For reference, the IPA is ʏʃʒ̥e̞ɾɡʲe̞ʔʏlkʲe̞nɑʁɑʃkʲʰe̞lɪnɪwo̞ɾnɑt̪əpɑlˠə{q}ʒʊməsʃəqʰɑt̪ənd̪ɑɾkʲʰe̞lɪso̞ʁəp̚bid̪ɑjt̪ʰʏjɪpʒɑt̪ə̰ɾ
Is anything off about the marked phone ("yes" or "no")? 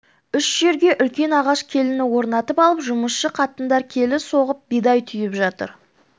yes